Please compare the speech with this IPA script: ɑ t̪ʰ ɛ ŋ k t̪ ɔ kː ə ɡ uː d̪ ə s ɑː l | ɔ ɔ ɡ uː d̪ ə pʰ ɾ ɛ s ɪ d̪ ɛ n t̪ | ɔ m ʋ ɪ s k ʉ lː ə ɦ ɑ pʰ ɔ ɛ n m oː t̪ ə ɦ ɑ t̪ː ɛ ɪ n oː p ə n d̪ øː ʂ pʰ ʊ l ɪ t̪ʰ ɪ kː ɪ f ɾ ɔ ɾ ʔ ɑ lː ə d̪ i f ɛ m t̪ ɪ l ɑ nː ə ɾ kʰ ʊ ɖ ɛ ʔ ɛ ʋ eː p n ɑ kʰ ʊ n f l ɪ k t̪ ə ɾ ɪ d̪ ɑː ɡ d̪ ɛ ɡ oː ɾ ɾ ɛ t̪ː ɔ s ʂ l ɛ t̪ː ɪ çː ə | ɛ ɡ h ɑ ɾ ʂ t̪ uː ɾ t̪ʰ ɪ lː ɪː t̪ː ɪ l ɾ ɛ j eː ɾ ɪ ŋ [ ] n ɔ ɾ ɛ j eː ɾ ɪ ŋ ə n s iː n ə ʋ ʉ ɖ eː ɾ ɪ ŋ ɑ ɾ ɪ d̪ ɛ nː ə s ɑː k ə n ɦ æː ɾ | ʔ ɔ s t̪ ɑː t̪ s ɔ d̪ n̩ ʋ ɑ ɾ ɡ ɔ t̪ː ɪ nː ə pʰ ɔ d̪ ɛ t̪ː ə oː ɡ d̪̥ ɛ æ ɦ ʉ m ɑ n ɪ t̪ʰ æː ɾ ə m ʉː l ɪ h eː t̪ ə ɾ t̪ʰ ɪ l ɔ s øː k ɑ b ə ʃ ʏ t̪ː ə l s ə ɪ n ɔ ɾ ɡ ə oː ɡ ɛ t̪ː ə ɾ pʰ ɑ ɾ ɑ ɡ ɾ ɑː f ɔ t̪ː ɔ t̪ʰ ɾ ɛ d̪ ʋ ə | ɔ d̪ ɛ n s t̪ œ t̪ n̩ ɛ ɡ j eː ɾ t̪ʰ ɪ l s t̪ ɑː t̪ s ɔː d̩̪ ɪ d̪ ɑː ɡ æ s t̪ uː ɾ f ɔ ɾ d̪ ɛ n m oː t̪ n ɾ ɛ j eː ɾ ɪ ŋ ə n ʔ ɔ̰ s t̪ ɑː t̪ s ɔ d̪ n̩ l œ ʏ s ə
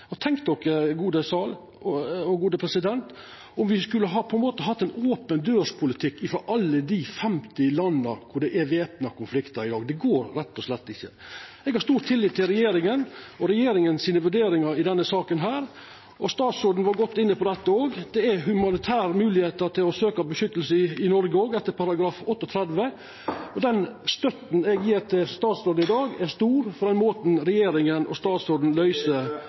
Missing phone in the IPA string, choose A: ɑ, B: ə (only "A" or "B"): B